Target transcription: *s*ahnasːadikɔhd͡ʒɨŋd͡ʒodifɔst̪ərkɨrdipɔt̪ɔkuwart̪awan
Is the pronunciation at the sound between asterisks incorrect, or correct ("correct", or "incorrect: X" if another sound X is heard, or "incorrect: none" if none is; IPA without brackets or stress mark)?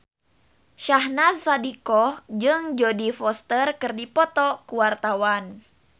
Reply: incorrect: ʃ